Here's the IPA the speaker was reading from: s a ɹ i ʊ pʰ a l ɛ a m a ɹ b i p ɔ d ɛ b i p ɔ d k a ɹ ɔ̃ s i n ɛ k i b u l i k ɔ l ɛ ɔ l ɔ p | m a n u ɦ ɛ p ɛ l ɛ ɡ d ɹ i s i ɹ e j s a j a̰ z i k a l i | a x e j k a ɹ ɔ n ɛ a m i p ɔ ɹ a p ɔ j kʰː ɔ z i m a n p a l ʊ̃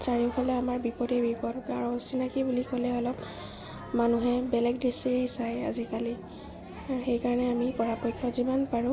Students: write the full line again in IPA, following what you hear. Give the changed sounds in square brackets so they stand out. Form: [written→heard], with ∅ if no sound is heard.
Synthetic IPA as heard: s a ɹ i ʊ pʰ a l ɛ a m a ɹ b i p ɔ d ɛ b i p ɔ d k a ɹ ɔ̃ s i n [ɛ→a] k i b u l i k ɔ l ɛ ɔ l ɔ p | m a n u ɦ ɛ [p→b] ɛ l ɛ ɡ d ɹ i s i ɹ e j s a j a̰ z i k a l i | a x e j k a ɹ ɔ n ɛ a m i p ɔ ɹ a p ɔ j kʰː ɔ z i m a n p a [l→ɹ] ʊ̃

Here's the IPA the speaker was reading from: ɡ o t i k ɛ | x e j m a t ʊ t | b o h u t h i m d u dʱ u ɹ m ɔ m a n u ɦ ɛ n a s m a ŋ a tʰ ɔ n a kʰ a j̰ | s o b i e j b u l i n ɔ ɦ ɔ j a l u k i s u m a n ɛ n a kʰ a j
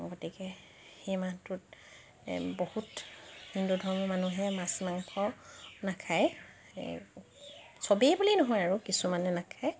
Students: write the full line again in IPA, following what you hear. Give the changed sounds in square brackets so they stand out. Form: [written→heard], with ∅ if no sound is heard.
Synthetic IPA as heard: ɡ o t i k ɛ | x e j m a t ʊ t | b o h u t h i [m→n] d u dʱ [u→ɔ] ɹ m ɔ m a n u ɦ ɛ [n→m] a s m a ŋ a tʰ ɔ n a kʰ a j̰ | s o b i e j b u l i n ɔ ɦ ɔ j a [l→ɹ] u k i s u m a n ɛ n a kʰ a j

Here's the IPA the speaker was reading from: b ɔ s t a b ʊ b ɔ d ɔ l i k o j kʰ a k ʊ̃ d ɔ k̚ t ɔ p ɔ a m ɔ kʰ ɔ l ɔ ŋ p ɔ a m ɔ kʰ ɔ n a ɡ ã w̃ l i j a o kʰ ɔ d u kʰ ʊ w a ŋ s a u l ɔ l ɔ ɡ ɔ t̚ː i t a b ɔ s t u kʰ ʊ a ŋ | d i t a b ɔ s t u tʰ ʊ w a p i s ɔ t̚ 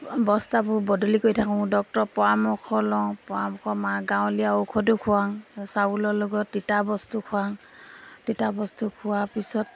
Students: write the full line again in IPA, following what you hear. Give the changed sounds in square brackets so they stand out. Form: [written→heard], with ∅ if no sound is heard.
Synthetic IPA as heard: b ɔ s t a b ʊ b ɔ d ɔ l i k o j [kʰ→tʰ] a k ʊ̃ d ɔ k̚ t ɔ p ɔ a m ɔ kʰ ɔ l ɔ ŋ p ɔ a m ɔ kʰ ɔ [n→m] a ɡ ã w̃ l i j a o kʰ ɔ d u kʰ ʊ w a ŋ s a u l ɔ l ɔ ɡ ɔ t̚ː i t a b ɔ s t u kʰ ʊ a ŋ | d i t a b ɔ s t u [tʰ→kʰ] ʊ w a p i s ɔ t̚

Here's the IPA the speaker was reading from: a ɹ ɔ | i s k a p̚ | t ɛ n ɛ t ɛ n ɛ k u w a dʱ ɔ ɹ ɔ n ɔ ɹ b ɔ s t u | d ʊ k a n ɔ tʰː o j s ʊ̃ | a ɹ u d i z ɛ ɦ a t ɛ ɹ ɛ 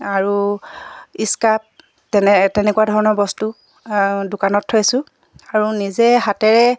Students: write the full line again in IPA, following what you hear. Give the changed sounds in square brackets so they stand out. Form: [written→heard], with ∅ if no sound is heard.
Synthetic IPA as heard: a ɹ [ɔ→u] | i s k a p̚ | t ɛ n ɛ t ɛ n ɛ k u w a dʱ ɔ ɹ ɔ n ɔ ɹ b ɔ s t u | d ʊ k a n ɔ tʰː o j s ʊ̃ | a ɹ u [d→n] i z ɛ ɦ a t ɛ ɹ ɛ

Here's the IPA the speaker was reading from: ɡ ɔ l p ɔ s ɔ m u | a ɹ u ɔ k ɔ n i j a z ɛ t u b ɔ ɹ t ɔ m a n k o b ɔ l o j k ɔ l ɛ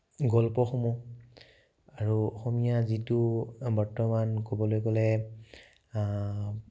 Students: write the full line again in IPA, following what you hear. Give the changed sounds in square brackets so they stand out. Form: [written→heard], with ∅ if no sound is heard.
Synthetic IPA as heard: ɡ ɔ l p ɔ [s→x] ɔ m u | a ɹ u ɔ [k→x] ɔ [n→m] i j a z [ɛ→i] t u b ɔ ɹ t ɔ m a n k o b ɔ l o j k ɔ l ɛ

